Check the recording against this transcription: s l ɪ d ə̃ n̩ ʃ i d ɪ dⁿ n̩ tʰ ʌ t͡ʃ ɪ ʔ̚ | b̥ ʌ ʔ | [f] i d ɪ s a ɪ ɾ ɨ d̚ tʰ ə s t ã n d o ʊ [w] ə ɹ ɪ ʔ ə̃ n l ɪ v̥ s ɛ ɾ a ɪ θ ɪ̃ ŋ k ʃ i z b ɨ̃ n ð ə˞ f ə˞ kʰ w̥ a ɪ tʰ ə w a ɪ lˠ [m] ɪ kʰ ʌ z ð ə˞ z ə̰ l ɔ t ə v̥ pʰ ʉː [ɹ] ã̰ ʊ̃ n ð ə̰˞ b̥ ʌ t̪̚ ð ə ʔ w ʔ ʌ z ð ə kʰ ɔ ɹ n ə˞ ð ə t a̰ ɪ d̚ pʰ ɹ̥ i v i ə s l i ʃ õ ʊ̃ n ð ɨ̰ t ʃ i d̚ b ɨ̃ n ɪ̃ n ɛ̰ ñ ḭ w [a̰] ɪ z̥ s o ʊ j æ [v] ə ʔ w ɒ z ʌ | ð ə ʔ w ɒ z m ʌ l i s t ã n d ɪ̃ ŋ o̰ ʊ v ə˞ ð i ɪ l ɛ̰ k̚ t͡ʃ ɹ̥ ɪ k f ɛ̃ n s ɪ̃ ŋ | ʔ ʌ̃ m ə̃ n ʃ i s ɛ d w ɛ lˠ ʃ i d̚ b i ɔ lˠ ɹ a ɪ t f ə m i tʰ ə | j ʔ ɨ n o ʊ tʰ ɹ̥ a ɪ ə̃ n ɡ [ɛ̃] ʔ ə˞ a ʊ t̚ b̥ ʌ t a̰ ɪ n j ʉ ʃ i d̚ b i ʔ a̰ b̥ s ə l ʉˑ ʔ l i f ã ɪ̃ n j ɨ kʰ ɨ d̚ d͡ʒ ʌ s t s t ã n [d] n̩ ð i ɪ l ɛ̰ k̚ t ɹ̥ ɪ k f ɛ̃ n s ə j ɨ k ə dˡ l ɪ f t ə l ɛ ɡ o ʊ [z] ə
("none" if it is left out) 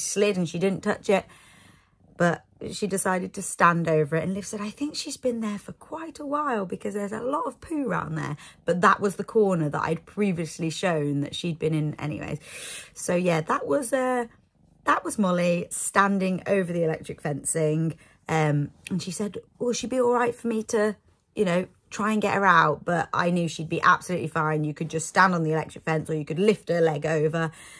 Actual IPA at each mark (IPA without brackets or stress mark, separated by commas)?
ʃ, v, b, ɹ, ḛ, ð, ɛ, d, v